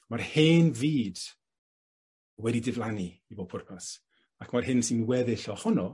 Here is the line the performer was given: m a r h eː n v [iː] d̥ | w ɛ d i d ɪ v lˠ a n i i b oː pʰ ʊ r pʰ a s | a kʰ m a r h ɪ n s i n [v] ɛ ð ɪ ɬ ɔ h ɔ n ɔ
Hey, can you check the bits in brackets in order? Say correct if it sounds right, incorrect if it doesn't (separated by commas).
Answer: correct, incorrect